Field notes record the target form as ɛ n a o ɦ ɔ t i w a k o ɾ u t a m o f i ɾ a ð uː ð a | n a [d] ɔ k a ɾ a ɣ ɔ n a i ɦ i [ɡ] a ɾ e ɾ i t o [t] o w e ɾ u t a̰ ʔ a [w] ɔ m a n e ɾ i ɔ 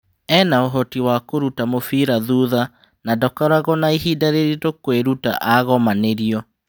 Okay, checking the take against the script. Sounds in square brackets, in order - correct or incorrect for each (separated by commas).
correct, incorrect, incorrect, incorrect